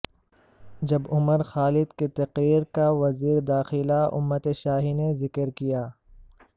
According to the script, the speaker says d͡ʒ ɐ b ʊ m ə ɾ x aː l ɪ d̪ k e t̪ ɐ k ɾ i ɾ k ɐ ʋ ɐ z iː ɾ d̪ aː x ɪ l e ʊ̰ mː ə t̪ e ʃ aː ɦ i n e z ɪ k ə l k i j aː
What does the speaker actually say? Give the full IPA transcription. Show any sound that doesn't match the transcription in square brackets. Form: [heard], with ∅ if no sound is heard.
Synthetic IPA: d͡ʒ ɐ b ʊ m ə ɾ x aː l ɪ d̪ k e t̪ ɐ [q] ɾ [iː] ɾ k [a] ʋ ɐ z iː ɾ d̪ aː x ɪ l [a] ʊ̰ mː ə t̪ e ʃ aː ɦ i n e z ɪ k ə [ɾ] k i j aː